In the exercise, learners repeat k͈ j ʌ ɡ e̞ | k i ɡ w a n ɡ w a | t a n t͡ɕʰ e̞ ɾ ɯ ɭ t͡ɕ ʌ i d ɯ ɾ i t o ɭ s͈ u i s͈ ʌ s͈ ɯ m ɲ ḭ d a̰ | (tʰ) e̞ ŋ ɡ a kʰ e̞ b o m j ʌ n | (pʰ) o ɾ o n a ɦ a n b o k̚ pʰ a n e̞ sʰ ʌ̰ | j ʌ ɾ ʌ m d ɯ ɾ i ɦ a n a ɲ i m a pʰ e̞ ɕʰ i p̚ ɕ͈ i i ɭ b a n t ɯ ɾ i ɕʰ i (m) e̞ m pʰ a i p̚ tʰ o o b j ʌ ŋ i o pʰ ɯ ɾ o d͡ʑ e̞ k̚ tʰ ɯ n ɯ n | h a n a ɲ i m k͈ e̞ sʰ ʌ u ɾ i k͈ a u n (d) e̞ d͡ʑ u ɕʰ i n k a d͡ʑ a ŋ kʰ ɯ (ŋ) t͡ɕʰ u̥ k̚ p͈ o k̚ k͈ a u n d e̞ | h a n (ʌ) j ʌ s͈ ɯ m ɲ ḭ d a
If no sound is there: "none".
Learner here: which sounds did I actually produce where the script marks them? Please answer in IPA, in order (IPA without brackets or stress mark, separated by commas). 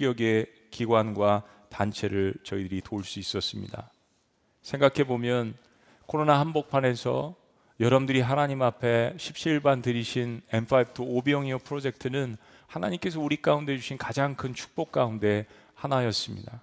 sʰ, kʰ, n, d, n, a